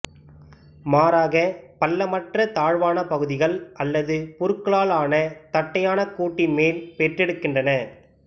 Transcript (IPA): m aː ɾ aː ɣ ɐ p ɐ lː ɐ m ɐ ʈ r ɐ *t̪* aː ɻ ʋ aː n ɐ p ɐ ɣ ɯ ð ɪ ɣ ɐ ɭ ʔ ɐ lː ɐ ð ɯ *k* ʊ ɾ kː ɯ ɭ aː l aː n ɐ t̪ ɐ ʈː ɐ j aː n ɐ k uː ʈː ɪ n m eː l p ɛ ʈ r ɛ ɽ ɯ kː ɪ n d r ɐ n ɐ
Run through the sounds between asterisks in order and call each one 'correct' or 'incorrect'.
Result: correct, incorrect: p

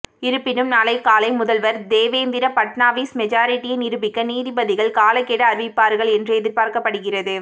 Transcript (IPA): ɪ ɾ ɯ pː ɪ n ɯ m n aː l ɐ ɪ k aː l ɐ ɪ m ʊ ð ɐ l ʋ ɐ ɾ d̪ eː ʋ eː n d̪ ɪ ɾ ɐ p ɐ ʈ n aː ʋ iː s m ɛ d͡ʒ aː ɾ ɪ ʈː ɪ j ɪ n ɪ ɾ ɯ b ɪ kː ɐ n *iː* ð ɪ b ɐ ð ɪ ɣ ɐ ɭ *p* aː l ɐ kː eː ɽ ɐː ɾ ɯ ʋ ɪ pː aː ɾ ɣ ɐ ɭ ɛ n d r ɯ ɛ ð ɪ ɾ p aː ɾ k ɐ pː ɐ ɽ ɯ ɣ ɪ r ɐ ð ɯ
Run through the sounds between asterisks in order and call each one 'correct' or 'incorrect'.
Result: correct, incorrect: k

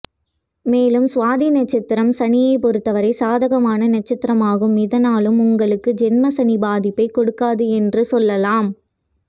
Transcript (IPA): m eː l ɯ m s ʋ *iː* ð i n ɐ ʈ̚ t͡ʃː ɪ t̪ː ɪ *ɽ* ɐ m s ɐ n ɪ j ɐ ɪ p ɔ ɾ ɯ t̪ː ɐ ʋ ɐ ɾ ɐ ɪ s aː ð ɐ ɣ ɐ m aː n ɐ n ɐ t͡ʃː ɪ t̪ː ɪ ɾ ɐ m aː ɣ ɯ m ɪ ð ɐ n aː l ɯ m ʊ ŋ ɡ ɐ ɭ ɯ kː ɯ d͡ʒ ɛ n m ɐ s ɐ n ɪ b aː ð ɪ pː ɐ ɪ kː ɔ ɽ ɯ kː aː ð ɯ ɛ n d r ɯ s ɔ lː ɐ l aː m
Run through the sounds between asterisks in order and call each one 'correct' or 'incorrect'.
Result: incorrect: aː, incorrect: ɾ

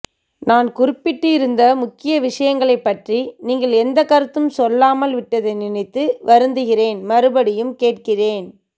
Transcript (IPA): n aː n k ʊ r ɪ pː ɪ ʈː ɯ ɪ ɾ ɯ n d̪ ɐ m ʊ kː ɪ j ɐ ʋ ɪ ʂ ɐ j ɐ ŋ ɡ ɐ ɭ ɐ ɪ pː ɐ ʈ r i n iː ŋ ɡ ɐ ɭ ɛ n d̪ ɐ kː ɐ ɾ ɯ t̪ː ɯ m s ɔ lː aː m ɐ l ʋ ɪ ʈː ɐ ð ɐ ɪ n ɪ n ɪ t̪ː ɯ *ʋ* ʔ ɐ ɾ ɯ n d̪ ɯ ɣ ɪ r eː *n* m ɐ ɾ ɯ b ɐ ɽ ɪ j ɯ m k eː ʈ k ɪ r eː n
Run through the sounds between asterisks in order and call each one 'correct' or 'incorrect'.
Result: correct, correct

